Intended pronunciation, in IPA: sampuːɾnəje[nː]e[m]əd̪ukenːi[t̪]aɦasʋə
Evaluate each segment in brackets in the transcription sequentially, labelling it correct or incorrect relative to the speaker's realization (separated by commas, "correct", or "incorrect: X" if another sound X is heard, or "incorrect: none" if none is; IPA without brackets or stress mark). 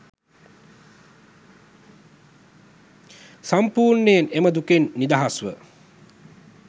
incorrect: n, correct, incorrect: d̪